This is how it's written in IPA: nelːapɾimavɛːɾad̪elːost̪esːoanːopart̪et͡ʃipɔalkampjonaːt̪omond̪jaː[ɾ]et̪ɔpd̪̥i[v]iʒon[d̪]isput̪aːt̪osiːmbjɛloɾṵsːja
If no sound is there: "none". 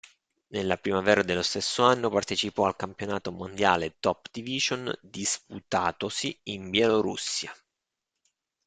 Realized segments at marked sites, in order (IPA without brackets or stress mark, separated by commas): l, v, d̪